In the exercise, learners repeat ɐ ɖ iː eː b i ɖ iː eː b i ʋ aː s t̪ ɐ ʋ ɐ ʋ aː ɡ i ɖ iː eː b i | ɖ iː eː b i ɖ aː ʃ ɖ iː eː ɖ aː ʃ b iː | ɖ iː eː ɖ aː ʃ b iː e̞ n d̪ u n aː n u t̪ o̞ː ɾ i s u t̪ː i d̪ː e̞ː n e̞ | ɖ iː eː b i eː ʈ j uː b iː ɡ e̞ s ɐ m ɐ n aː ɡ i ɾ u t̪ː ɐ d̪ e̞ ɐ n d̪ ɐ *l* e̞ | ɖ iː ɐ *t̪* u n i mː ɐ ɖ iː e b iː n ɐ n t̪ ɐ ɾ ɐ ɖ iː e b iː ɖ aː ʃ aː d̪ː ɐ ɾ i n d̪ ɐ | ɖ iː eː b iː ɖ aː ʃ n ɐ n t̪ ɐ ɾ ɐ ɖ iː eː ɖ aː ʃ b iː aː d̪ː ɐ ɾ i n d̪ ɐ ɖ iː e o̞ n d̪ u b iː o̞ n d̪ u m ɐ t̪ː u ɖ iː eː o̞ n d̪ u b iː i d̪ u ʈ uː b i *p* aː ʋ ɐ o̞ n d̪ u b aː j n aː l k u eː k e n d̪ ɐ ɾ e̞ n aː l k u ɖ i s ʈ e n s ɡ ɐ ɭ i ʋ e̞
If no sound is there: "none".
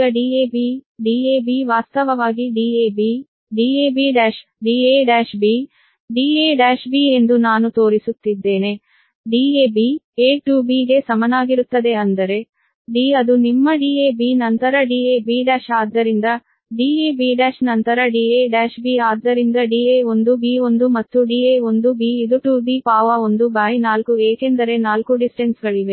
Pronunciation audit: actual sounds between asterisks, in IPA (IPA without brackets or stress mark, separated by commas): ɾ, d̪, p